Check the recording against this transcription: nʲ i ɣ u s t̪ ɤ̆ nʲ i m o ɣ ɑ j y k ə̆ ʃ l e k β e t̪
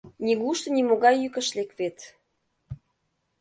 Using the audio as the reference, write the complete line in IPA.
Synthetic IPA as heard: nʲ i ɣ u ʃ t̪ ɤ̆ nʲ i m o ɣ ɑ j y k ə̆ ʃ l e k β e t̪